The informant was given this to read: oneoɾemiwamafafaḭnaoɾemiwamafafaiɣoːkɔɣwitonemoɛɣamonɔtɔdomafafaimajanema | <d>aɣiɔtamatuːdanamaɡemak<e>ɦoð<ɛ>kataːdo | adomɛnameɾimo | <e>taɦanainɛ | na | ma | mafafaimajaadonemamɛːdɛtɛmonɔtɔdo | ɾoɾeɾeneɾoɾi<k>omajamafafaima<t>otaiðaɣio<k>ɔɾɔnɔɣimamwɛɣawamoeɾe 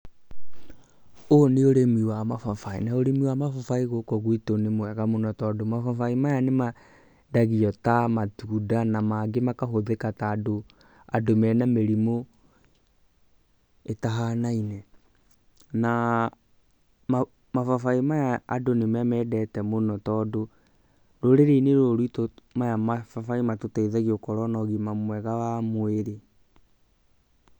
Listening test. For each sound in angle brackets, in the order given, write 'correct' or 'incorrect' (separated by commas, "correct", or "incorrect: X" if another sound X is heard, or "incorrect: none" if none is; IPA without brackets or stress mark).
correct, incorrect: a, incorrect: e, correct, incorrect: t, correct, correct